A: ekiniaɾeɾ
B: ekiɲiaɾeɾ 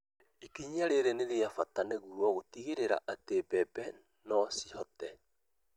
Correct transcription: B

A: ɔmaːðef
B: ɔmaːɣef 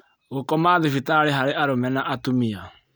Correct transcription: A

